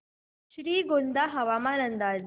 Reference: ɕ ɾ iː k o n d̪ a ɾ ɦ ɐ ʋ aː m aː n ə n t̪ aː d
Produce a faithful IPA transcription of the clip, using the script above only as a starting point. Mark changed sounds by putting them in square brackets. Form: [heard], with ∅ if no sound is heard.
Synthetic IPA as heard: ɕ ɾ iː [ɡ] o n d̪ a [∅] ɦ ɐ ʋ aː m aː n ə n [d̪] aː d